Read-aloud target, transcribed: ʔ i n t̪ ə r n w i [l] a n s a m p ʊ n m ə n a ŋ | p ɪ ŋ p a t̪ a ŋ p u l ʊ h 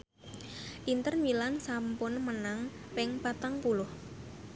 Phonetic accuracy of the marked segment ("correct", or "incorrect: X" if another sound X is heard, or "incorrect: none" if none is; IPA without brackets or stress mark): correct